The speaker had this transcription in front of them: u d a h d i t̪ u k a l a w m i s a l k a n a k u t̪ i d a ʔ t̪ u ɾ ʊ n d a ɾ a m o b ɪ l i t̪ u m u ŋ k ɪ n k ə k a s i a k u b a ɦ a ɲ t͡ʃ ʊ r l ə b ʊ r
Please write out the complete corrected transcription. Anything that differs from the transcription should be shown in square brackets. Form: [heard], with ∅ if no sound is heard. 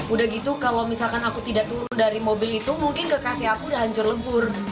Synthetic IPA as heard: u d a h [ɡ] i t̪ u k a l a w m i s a l k a n a k u t̪ i d a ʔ t̪ u ɾ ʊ n d a ɾ [i] m o b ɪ l i t̪ u m u ŋ k ɪ n k ə k a s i a k u [d] a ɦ a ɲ t͡ʃ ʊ r l ə b ʊ r